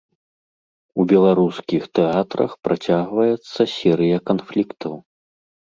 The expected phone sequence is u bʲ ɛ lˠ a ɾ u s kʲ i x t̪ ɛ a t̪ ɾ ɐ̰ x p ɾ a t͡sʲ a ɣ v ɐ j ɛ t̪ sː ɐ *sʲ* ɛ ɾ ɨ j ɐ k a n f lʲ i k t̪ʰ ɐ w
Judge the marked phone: correct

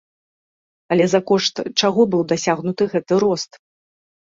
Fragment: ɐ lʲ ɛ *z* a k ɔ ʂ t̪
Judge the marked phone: correct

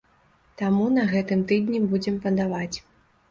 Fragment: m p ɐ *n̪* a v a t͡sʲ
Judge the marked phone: incorrect: d̪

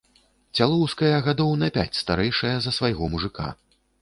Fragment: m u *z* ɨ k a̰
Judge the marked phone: incorrect: ʐ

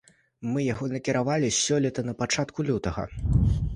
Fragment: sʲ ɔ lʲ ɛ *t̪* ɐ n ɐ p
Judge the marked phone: correct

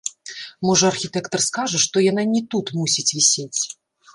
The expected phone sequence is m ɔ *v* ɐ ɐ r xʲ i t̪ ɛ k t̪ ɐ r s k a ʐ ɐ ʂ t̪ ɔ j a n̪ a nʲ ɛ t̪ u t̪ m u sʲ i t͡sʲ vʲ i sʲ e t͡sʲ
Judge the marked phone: incorrect: ʐ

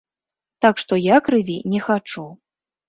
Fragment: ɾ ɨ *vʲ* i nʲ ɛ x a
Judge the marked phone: correct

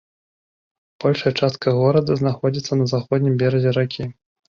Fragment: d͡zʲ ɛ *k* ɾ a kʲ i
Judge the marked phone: incorrect: none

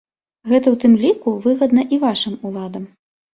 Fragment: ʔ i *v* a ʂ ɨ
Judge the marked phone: correct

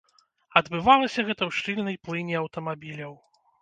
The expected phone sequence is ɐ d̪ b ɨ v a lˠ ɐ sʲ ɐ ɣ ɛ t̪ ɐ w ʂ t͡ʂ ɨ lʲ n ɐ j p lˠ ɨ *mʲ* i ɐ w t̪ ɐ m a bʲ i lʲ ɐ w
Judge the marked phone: incorrect: nʲ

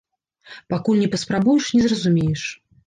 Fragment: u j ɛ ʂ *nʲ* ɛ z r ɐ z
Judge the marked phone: correct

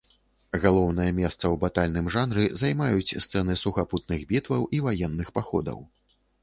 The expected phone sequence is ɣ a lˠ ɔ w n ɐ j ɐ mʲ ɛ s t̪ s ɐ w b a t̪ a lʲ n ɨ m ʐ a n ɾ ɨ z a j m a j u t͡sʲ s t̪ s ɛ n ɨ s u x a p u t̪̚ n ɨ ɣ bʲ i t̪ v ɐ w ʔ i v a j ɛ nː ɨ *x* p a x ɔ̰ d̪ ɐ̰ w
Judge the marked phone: correct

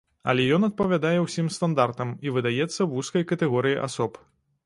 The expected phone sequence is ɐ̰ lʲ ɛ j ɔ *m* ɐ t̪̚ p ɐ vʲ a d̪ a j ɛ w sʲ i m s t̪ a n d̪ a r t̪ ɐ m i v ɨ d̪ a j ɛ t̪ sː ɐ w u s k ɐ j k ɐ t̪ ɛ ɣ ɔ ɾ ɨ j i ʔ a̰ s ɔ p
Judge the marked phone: incorrect: n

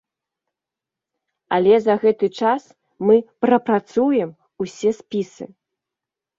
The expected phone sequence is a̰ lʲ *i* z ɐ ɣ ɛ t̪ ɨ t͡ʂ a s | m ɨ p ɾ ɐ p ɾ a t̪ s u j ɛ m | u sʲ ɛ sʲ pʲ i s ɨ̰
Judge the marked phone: incorrect: ɛ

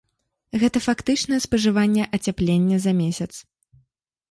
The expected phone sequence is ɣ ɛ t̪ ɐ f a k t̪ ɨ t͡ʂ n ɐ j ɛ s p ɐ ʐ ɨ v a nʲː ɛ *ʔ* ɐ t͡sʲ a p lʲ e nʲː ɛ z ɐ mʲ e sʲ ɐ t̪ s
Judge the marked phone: correct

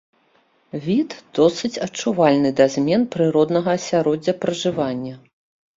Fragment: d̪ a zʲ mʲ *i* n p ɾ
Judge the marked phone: incorrect: ɛ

